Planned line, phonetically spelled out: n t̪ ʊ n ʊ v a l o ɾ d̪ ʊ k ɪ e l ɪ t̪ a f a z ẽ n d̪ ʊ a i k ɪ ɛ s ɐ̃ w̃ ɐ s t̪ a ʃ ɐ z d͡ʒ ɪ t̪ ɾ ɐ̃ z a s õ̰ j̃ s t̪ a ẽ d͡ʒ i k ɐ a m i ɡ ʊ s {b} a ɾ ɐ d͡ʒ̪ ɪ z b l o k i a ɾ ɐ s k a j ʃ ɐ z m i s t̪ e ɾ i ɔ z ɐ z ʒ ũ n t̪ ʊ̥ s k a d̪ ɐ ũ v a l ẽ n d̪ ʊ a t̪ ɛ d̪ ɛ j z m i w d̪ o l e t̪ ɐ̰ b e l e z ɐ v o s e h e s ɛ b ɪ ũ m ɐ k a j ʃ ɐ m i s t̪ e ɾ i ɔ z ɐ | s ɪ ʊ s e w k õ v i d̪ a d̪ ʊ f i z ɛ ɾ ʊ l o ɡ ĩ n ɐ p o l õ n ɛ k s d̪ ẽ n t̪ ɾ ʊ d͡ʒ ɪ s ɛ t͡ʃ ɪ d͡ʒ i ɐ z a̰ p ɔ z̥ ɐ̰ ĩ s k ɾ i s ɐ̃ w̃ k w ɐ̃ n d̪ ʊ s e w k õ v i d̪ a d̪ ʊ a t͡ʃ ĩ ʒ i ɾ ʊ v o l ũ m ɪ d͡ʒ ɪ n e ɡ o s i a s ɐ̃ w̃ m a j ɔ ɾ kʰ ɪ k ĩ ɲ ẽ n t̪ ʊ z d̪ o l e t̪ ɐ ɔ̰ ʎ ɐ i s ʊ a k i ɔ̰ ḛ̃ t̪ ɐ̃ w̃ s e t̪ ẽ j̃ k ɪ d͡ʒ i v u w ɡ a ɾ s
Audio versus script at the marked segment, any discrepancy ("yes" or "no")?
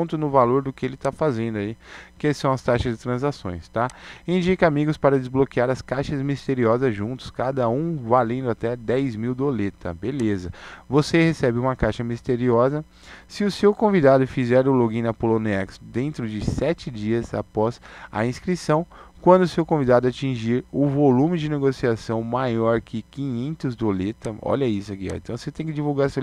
yes